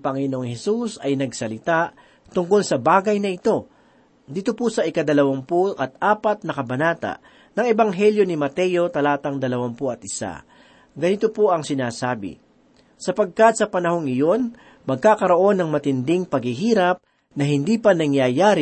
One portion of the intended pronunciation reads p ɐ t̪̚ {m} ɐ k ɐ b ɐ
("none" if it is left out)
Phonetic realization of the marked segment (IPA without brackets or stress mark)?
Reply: n